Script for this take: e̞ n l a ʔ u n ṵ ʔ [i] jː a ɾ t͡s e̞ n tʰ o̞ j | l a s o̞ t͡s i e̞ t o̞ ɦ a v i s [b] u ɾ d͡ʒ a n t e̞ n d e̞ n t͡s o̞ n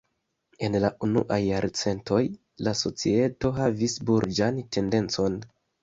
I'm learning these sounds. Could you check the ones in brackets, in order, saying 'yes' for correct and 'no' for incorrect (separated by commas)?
no, yes